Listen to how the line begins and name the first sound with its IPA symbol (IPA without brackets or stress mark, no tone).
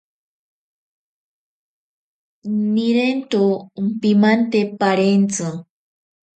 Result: n